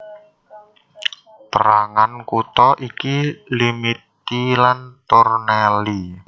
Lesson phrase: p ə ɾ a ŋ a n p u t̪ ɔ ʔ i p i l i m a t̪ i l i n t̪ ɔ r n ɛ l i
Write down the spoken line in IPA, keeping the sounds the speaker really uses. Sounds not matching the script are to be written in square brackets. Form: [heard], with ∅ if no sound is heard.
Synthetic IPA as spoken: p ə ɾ a ŋ a n [k] u t̪ ɔ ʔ i [k] i l i m [i] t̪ i l [a] n t̪ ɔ r n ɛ l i